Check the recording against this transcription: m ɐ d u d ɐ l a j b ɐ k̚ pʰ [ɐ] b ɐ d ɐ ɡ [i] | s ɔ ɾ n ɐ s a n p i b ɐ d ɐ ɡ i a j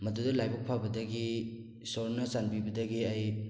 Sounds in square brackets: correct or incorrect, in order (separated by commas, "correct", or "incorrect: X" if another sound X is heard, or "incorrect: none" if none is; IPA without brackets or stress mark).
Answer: incorrect: a, correct